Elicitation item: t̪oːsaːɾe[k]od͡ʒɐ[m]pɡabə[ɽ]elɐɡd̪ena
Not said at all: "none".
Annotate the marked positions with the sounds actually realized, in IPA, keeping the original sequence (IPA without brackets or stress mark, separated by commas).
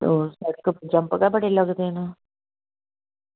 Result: k, m, ɽ